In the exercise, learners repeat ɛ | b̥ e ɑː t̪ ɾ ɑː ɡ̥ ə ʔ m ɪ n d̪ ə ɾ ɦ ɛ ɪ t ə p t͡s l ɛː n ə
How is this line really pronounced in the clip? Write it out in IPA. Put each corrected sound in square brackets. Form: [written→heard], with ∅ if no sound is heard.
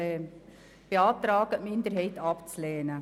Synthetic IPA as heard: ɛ | b̥ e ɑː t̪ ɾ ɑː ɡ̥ ə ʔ m ɪ n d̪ ə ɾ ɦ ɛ ɪ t [ə→ɑ] p t͡s l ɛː n ə